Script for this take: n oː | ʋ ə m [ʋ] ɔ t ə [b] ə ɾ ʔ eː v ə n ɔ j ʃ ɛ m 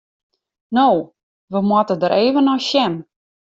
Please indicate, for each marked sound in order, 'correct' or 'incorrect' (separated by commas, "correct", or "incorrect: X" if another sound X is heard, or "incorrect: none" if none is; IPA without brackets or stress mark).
incorrect: w, incorrect: d